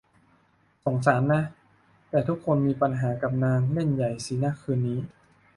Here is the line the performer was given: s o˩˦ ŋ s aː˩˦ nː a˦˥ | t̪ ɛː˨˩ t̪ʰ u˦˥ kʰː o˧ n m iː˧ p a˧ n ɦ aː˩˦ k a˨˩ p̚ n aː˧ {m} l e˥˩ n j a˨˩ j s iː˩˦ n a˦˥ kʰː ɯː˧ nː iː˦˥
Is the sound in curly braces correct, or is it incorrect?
incorrect